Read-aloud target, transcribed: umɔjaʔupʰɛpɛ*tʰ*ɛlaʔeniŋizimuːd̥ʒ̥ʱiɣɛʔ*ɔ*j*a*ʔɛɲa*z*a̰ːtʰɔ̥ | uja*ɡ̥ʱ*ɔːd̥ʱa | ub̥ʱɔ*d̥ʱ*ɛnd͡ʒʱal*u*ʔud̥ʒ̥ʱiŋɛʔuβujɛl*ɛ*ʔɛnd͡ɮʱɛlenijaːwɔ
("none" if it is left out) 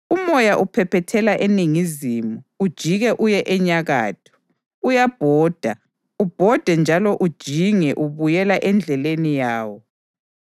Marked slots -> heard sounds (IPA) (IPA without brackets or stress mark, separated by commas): tʰ, u, ɛ, ɣ, b̥ʱ, d̥ʱ, ɔ, a